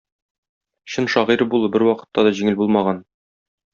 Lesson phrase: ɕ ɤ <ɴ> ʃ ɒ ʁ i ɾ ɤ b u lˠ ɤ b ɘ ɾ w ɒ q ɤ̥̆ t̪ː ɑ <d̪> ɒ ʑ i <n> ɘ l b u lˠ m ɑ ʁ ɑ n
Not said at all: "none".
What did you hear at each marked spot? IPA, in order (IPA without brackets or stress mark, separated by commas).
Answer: n, d̪, ŋ